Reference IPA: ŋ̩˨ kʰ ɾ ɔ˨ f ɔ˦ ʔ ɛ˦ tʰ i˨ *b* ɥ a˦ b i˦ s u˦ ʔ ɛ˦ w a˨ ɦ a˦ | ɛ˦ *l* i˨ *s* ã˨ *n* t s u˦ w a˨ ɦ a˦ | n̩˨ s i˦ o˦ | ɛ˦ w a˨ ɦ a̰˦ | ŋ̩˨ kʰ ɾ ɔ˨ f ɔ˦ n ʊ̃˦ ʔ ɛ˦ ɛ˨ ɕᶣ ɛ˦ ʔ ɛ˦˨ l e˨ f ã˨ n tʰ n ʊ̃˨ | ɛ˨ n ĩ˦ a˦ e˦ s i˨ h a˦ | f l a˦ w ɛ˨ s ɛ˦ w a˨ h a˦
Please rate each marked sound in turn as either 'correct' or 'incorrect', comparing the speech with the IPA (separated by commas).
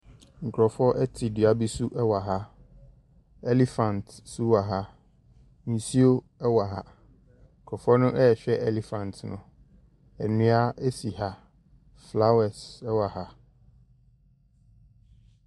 incorrect, correct, incorrect, correct